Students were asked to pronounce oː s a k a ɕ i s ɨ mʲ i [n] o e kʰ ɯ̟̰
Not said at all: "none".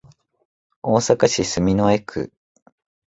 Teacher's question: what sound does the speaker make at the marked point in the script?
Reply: n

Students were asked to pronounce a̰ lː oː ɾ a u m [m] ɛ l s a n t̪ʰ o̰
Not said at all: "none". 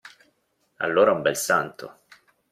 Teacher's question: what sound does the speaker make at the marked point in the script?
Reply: b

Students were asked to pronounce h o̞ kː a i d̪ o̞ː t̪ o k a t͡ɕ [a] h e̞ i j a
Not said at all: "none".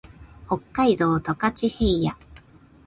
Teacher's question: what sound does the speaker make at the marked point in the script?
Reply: i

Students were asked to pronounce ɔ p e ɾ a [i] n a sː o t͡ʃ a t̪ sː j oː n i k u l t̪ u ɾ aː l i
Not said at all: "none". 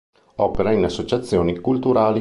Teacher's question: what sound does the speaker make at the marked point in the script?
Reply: i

